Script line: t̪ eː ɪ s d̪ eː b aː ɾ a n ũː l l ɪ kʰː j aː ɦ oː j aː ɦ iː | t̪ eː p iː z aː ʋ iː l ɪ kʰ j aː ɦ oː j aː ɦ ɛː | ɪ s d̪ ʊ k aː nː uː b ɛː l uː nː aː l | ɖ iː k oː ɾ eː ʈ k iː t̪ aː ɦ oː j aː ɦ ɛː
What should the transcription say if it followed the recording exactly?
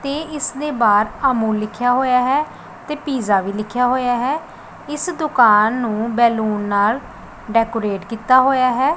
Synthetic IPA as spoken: t̪ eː ɪ s d̪ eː b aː ɾ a m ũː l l ɪ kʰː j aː ɦ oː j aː ɦ ɛː | t̪ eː p iː z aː ʋ iː l ɪ kʰ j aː ɦ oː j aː ɦ ɛː | ɪ s d̪ ʊ k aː nː ũː b ɛː l uː nː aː l | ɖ ɛː k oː ɾ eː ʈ k iː t̪ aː ɦ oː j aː ɦ ɛː